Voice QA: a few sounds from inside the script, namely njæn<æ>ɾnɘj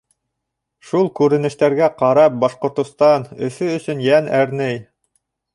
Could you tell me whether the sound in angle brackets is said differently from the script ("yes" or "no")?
no